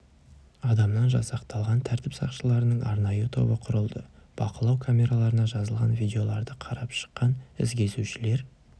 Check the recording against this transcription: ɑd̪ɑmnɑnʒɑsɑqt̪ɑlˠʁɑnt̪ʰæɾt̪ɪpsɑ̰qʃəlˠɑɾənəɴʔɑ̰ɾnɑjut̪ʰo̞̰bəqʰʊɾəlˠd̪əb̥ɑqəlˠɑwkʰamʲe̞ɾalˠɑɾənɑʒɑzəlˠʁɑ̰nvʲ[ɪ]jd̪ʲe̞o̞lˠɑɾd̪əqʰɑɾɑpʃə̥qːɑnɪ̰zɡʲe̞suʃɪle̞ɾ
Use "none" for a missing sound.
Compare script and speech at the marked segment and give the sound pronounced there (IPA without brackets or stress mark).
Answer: i